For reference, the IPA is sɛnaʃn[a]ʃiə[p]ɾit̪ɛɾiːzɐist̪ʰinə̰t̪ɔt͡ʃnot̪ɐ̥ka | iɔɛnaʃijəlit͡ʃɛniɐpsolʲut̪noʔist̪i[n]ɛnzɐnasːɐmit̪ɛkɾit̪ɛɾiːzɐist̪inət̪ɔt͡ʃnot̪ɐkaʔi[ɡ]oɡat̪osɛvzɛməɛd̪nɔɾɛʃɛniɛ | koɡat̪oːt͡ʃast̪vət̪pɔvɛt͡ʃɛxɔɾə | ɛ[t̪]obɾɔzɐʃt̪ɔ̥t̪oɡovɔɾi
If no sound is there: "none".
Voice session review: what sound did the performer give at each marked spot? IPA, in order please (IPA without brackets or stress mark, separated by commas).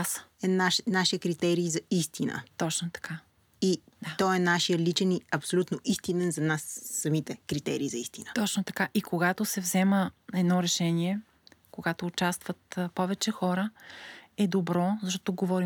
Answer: a, k, n, k, d̪